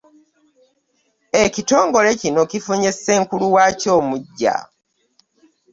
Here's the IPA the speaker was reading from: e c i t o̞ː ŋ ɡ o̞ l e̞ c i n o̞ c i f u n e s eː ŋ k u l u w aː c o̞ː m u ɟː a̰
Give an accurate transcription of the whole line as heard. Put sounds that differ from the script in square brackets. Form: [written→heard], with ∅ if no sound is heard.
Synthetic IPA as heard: e c i t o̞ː ŋ ɡ o̞ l e̞ c i n o̞ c i f u [n→ɲ] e s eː ŋ k u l u w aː c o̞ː m u ɟː a̰